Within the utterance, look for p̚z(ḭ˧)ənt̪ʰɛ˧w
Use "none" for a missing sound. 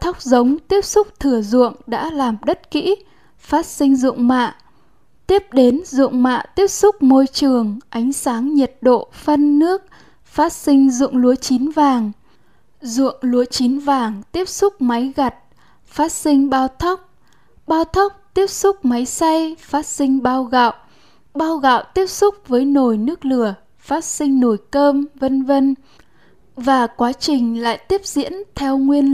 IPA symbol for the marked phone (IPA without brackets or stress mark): ḭ˧˥